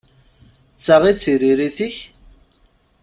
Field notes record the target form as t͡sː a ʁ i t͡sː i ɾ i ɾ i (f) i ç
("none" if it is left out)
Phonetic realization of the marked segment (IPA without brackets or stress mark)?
θ